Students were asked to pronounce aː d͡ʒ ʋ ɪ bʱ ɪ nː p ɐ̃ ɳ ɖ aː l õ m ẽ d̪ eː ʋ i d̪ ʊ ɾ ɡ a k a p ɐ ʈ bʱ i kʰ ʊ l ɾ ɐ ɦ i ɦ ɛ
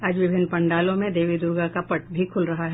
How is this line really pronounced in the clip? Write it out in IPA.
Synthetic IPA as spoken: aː d͡ʒ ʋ ɪ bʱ ɪ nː p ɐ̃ ɳ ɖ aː l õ m ẽ d̪ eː ʋ i d̪ ʊ ɾ ɡ a k a p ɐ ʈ bʱ i kʰ ʊ l ɾ ɐ ɦ a ɦ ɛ